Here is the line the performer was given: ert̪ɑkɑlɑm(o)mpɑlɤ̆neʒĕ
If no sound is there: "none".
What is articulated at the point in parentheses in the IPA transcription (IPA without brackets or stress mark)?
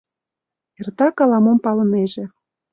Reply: o